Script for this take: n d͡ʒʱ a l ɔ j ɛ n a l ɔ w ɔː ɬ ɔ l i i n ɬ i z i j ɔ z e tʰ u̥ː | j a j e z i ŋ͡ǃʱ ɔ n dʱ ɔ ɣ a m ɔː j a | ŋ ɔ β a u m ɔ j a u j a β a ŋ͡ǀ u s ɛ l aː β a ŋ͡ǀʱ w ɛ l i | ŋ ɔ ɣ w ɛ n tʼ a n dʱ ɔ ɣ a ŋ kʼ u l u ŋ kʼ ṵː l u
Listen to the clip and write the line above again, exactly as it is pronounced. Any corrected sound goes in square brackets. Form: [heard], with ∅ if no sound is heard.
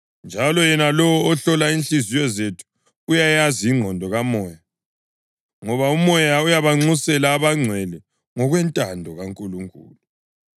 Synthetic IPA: n d͡ʒʱ a l ɔ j ɛ n a l ɔ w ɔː ɬ ɔ l [a] i n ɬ i z i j ɔ z e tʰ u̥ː | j a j [a] z i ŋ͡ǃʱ ɔ n dʱ ɔ ɣ a m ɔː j a | ŋ ɔ β a u m ɔ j a u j a β a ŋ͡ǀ u s ɛ l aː β a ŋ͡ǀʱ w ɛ l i | ŋ ɔ ɣ w ɛ n tʼ a n dʱ ɔ ɣ a ŋ kʼ u l u ŋ kʼ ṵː l u